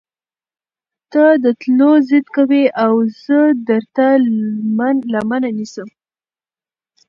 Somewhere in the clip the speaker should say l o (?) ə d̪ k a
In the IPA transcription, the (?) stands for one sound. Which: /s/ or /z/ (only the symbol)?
z